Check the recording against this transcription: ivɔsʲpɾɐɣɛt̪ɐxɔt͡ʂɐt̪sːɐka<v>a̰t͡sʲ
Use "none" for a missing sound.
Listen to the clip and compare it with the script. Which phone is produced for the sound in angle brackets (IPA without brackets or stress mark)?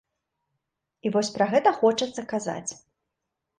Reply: z